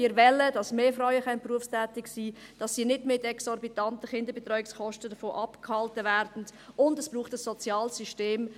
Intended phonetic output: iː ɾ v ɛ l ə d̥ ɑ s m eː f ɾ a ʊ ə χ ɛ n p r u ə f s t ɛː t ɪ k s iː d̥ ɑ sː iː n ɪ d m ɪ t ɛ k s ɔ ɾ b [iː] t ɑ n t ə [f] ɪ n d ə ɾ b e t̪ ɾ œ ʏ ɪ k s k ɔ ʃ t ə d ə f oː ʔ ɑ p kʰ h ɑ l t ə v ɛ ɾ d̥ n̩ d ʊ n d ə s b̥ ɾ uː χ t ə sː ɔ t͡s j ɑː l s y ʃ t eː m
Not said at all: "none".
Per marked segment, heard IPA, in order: i, χ

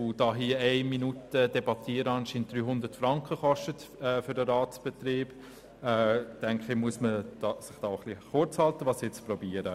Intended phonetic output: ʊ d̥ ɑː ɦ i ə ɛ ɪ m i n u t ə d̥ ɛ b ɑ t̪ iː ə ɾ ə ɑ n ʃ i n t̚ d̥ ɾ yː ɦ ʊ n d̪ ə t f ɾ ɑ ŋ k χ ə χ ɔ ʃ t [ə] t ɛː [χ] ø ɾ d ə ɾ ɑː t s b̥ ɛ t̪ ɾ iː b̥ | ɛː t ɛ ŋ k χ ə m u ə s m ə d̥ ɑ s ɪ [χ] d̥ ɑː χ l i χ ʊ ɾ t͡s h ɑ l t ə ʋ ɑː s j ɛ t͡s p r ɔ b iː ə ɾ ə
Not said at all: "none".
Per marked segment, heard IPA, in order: ə, f, χ

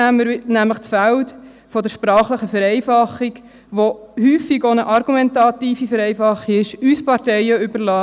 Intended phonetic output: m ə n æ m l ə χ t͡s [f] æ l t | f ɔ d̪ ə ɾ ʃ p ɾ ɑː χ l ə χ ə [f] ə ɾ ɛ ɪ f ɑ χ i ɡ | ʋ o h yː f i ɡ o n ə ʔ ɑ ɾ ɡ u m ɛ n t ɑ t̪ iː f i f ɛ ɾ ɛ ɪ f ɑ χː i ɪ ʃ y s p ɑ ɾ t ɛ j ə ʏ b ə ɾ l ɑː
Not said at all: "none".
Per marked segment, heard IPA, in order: f, f

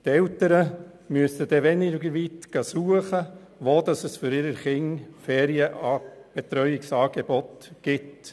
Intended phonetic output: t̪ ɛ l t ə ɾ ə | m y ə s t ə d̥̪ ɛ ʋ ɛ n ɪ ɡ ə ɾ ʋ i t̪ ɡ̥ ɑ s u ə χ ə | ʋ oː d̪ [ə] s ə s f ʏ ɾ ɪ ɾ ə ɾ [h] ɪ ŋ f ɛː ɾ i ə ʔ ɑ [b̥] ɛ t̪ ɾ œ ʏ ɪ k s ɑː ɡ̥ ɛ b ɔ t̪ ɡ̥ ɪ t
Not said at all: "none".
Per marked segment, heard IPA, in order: ɑ, χ, b̥

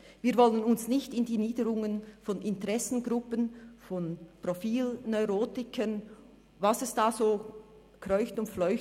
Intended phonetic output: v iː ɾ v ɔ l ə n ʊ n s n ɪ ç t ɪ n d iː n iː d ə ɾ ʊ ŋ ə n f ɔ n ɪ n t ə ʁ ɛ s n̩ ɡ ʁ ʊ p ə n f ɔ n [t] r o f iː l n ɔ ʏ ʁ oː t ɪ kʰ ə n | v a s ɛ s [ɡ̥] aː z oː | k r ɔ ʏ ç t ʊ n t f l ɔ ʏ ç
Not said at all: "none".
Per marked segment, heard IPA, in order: p, d̥

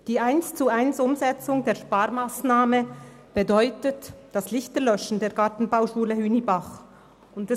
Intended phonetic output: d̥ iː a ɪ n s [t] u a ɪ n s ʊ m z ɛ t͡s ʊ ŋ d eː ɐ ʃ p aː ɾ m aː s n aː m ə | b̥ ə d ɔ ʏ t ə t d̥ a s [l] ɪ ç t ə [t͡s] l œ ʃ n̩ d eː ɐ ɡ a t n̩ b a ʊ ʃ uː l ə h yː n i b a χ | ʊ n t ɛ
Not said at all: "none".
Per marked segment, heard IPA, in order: t͡s, l, none

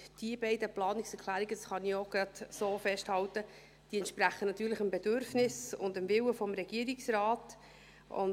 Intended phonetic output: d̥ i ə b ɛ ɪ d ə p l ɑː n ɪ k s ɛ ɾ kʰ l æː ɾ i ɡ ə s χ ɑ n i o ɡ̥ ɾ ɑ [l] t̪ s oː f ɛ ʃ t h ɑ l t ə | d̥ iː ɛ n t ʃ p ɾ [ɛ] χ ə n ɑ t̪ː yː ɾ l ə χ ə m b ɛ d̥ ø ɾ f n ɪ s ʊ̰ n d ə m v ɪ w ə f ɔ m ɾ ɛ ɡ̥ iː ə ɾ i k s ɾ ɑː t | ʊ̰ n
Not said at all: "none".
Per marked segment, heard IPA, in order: none, æ

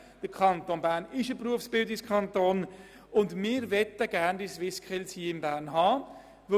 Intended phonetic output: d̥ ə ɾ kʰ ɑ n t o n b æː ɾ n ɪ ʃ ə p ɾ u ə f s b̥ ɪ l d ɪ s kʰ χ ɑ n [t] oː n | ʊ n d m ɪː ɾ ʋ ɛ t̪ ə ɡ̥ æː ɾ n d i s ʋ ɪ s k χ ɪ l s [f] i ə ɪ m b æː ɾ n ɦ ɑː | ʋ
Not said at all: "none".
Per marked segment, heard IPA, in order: t, h

